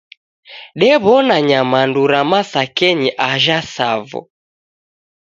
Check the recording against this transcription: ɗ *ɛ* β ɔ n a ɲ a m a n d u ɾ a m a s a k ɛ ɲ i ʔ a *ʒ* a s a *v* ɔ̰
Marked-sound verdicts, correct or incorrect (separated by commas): correct, correct, correct